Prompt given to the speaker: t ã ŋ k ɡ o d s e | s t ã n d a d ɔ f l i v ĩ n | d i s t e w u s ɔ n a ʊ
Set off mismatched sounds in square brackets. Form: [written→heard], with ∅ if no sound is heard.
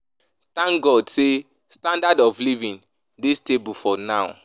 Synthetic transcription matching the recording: t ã ŋ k ɡ [o→ɔ] d s e | s t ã n d a d ɔ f l i v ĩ n | d i s t e [w→b] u [s→f] ɔ n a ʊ